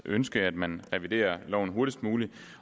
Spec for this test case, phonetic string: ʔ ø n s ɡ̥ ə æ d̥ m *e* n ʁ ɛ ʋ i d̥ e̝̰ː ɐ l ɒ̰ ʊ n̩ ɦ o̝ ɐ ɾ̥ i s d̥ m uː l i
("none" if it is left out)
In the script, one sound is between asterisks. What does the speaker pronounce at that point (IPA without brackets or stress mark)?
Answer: æ